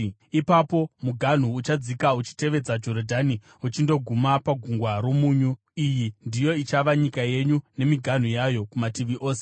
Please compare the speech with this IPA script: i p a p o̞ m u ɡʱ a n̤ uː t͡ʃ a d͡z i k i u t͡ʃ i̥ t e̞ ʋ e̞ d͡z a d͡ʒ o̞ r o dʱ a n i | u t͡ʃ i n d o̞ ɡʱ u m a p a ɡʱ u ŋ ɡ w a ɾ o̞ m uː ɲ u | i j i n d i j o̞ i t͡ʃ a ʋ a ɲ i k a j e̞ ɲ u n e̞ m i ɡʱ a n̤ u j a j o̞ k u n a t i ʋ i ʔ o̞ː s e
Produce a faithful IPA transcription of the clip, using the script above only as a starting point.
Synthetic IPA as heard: i p a p o̞ m u ɡʱ a n̤ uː t͡ʃ a d͡z i k a u t͡ʃ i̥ t e̞ ʋ e̞ d͡z a d͡ʒ o̞ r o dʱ a n i | u t͡ʃ i n d o̞ ɡʱ u m a p a ɡʱ u ŋ ɡ w a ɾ o̞ m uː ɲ u | i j i n d i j o̞ i t͡ʃ a ʋ a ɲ i k a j e̞ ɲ u n e̞ m i ɡʱ a n̤ u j a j o̞ k u m a t i ʋ i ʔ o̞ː s e